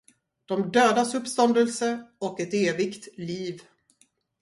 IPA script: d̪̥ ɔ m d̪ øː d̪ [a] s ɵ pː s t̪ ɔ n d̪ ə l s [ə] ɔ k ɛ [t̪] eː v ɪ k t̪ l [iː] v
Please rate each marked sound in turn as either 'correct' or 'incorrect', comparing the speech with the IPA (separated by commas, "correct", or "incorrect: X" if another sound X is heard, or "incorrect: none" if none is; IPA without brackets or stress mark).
correct, correct, correct, correct